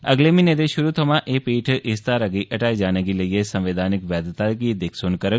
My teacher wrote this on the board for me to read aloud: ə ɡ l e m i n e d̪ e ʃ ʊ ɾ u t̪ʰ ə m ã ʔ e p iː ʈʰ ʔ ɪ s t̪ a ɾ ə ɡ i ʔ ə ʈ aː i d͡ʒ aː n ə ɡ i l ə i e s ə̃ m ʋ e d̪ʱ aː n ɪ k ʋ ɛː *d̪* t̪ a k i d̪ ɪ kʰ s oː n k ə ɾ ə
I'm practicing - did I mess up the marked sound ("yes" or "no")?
no